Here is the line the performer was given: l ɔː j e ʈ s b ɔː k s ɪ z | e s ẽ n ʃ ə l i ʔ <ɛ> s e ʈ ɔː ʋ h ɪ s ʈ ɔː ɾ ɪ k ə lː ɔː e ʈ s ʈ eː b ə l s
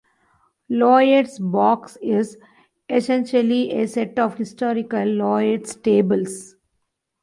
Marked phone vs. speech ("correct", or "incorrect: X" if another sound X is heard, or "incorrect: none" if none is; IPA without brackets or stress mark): incorrect: e